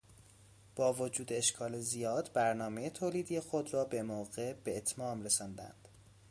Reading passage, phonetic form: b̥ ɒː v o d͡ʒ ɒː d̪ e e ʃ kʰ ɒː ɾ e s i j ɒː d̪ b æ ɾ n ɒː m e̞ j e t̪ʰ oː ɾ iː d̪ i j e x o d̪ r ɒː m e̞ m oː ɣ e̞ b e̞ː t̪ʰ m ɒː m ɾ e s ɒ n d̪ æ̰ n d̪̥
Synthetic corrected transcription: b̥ ɒː v o d͡ʒ uː d̪ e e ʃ kʰ ɒː l e z i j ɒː d̪ b æ ɾ n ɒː m e̞ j e t̪ʰ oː l iː d̪ i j e x o d̪ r ɒː b e̞ m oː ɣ e̞ b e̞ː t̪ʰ m ɒː m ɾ e s ɒ n d̪ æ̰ n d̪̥